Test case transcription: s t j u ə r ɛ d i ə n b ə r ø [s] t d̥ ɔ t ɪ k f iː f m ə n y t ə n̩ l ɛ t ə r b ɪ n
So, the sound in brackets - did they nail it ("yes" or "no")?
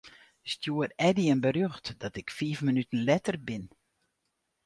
no